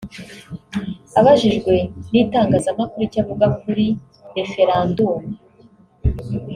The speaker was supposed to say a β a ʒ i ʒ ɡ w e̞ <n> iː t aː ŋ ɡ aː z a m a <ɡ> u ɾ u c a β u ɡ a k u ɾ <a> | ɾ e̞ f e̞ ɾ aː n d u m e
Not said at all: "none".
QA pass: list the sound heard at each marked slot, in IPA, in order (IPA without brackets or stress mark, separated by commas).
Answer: n, k, i